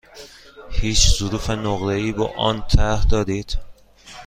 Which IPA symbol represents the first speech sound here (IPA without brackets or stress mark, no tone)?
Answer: h